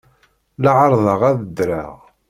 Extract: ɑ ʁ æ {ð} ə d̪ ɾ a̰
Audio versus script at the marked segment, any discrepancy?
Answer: no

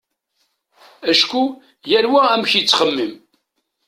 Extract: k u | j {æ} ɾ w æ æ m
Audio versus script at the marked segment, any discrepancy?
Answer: no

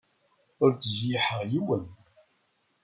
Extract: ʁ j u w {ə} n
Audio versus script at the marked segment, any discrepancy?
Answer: no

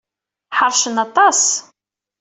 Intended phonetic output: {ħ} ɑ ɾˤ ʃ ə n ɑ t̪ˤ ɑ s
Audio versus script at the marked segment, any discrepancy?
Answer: no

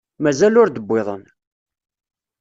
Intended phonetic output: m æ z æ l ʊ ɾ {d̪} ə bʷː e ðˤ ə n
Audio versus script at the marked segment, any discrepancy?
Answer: no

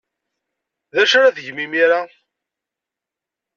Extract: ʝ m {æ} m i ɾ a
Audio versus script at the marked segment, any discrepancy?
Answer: yes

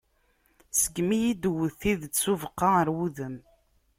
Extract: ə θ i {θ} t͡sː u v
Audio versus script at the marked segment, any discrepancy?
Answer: yes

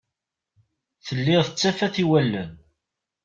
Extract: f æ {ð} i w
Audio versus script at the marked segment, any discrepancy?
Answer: yes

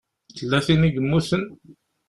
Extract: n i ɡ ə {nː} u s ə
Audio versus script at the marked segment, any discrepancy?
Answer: yes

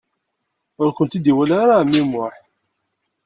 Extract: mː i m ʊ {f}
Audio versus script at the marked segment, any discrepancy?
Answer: yes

